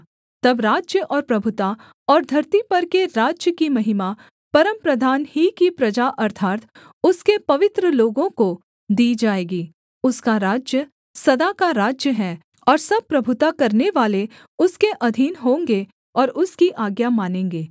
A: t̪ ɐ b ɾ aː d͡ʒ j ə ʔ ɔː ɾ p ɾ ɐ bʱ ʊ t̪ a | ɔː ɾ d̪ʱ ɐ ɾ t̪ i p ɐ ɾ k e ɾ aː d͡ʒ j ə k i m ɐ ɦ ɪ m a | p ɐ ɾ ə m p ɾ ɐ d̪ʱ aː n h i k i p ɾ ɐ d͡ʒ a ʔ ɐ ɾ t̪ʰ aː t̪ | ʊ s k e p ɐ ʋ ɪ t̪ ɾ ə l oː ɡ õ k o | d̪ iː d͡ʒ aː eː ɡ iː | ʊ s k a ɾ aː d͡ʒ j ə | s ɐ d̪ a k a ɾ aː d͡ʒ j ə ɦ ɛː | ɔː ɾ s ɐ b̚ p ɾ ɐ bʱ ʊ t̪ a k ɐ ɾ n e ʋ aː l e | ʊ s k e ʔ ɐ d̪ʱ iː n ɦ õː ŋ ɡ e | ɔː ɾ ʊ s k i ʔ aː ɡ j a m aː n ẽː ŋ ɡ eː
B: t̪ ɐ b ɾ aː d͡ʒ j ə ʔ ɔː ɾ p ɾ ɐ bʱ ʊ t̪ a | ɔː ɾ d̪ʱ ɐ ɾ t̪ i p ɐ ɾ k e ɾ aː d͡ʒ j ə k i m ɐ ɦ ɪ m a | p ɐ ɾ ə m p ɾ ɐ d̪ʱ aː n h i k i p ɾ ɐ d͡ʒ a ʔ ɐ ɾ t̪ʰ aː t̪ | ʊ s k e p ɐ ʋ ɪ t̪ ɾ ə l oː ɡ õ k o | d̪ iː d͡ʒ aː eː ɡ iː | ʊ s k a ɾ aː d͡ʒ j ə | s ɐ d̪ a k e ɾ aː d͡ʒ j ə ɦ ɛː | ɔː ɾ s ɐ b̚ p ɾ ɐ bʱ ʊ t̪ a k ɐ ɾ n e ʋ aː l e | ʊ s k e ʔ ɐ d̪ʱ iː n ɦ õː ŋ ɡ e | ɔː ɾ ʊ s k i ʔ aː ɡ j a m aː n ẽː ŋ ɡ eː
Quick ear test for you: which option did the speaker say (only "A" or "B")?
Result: A